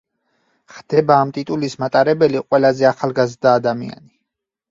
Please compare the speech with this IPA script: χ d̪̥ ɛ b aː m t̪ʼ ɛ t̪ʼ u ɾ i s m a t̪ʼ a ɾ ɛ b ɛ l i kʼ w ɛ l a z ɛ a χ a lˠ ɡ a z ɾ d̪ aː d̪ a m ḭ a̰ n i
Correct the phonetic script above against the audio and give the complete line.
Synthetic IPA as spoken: χ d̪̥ ɛ b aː m t̪ʼ i t̪ʼ u l i s m a t̪ʼ a ɾ ɛ b ɛ l i qʼ w ɛ l a z ɛ a χ a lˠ ɡ a z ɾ d̪ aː d̪ a m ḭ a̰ n i